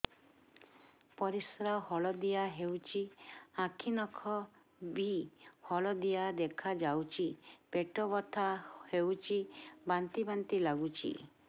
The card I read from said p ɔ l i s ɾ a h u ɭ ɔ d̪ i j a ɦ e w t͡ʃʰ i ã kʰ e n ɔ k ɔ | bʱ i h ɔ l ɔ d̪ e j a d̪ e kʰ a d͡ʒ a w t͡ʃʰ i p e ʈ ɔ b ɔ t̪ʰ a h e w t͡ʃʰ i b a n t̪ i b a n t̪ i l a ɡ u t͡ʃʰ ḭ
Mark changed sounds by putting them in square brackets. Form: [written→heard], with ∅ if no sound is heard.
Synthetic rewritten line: p ɔ [l→ɾ] i s ɾ a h [u→ɔ] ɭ ɔ d̪ i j a ɦ e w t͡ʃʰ i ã kʰ [e→i] n ɔ [k→kʰ] ɔ | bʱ i h ɔ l ɔ d̪ [e→i] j a d̪ e kʰ a d͡ʒ a w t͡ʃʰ i p e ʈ ɔ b ɔ t̪ʰ a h e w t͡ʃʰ i b a n t̪ i b a n t̪ i l a ɡ u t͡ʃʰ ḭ